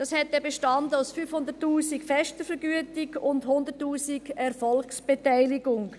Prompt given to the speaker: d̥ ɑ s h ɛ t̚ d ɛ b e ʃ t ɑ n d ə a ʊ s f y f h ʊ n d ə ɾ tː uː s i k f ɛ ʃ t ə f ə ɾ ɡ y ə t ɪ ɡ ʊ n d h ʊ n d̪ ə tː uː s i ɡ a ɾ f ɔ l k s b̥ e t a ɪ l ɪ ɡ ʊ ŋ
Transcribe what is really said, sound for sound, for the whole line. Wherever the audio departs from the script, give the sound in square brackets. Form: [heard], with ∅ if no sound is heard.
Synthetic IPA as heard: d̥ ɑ s h ɛ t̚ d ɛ b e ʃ t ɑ n d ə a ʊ s f y f h ʊ n d ə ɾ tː uː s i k f ɛ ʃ t ə f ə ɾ ɡ y ə t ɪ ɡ ʊ n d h ʊ n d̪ ə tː uː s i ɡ [ɛ] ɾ f ɔ l k s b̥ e t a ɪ l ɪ ɡ ʊ ŋ